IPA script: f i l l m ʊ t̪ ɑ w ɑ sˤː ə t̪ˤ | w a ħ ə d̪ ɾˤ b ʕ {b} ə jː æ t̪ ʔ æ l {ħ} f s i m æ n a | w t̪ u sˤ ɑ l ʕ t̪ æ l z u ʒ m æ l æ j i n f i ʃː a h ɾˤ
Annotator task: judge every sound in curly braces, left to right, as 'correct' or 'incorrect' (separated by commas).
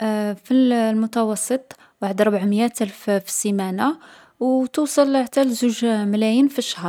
incorrect, incorrect